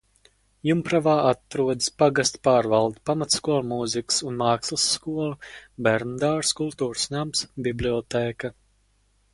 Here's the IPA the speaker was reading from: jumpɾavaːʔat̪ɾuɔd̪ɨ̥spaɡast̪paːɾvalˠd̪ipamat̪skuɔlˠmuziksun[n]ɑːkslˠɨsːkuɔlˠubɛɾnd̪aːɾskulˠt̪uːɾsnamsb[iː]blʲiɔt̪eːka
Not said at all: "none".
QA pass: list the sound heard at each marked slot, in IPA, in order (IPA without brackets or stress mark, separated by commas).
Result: m, i